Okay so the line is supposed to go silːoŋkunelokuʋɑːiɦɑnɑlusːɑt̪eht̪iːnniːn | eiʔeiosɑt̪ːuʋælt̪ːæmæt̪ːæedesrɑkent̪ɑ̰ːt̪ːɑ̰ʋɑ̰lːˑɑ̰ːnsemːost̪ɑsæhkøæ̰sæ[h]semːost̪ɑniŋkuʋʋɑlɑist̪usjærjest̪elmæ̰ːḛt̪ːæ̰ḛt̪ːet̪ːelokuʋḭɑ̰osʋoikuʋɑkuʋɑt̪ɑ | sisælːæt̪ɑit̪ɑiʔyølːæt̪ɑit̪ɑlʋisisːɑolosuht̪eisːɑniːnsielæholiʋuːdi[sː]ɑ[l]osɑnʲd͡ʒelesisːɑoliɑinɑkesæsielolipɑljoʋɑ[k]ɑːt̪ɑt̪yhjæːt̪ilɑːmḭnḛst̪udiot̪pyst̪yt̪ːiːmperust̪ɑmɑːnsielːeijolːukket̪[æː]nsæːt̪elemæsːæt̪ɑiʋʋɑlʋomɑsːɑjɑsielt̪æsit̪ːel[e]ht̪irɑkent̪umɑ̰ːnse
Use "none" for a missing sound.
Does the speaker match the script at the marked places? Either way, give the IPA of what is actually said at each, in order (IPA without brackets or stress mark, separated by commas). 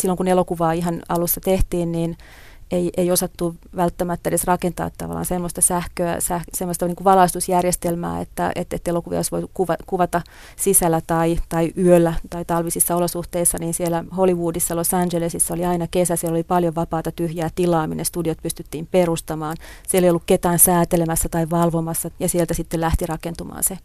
h, sː, l, p, æː, æ